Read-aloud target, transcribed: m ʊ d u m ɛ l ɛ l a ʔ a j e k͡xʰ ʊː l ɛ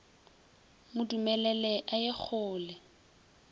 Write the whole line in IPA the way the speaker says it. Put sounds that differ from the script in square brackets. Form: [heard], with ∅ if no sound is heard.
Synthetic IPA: m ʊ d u m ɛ l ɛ l [ɛ] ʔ a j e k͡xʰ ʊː l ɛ